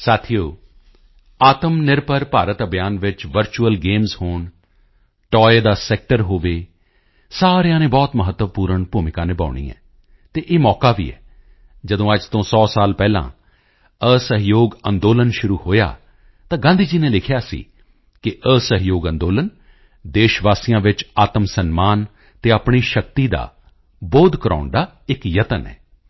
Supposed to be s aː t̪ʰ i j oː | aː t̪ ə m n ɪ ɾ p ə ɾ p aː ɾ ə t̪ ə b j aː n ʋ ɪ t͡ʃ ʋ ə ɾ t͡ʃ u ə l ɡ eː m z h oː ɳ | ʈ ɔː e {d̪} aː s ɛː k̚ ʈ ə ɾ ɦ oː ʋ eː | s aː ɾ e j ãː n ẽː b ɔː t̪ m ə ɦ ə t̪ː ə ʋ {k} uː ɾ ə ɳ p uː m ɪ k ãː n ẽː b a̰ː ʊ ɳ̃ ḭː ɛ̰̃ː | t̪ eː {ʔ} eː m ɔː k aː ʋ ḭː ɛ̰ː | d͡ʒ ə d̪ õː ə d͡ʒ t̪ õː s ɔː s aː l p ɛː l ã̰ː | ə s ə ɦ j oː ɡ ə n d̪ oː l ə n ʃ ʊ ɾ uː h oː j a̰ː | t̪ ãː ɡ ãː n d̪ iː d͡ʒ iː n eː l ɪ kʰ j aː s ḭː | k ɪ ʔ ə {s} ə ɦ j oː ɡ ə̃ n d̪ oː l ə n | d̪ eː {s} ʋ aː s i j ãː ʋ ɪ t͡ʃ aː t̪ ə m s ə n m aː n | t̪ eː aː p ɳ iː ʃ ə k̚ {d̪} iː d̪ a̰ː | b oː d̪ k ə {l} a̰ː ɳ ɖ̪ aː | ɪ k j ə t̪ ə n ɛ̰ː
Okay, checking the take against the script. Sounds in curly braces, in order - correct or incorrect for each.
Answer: correct, incorrect: p, correct, correct, incorrect: ʃ, incorrect: t̪, incorrect: ɾ

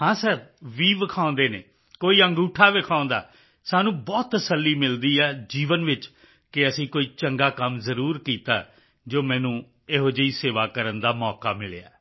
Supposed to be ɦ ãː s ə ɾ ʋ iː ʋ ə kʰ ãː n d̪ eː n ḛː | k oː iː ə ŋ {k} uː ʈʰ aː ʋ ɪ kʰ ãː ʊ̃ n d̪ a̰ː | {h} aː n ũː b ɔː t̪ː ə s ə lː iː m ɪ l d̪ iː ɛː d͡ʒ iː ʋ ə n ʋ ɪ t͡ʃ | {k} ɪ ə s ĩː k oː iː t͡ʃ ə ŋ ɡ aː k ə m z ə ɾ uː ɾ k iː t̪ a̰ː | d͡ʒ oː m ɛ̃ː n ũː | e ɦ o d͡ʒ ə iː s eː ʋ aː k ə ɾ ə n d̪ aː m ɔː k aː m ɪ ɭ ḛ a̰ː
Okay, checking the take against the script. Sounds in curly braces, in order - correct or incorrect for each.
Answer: incorrect: ɡ, incorrect: s, correct

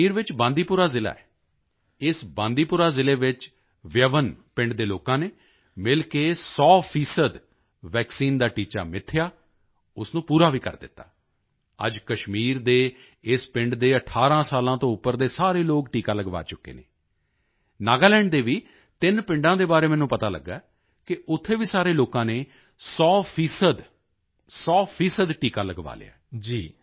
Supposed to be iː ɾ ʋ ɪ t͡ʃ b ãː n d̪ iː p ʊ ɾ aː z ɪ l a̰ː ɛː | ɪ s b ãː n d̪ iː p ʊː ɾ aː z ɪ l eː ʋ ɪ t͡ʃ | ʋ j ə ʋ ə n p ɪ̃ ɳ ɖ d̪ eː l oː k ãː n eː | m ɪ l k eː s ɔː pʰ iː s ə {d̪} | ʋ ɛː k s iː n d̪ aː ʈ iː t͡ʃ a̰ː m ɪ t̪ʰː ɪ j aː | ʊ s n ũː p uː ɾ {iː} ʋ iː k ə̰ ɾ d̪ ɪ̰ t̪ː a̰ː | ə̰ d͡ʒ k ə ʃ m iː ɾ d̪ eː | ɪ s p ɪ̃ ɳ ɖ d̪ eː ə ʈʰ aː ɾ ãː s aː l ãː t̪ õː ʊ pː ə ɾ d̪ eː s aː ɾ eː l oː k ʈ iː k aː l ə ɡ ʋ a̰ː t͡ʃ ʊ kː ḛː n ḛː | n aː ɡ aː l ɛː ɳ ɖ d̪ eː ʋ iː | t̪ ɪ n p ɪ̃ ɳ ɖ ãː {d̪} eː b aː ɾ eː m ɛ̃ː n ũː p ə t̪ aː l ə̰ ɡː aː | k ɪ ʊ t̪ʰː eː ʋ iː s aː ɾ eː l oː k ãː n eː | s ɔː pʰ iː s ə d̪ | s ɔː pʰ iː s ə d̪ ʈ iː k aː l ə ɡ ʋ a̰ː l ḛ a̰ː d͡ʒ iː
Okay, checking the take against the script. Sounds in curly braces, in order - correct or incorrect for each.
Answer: correct, incorrect: aː, correct

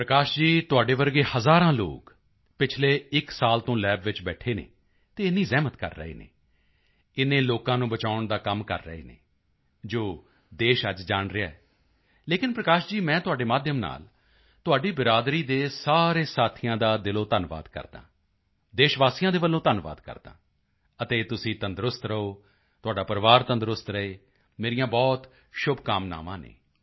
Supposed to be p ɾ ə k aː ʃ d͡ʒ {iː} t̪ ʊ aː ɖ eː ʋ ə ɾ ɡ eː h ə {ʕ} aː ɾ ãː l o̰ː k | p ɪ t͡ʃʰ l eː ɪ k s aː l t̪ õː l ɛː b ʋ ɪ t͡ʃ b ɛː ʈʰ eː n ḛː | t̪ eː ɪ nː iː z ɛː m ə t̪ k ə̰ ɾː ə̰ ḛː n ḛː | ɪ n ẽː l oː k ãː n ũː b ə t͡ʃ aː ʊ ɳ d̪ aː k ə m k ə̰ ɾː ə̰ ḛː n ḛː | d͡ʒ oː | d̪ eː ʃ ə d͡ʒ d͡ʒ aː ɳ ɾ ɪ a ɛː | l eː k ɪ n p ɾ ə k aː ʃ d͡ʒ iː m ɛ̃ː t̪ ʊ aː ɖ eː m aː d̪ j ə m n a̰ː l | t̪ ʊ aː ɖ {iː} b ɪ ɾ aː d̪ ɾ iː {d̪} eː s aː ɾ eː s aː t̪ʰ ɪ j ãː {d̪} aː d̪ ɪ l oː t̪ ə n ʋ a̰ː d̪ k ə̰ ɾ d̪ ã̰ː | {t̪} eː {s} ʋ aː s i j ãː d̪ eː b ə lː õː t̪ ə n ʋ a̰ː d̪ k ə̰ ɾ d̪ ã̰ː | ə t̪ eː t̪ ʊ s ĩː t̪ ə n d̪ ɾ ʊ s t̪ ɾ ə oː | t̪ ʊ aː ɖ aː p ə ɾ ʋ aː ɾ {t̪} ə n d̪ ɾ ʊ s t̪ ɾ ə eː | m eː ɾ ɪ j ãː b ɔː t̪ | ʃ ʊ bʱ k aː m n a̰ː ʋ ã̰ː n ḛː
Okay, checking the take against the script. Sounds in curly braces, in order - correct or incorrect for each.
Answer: correct, incorrect: z, correct, correct, correct, incorrect: d̪, incorrect: ʃ, correct

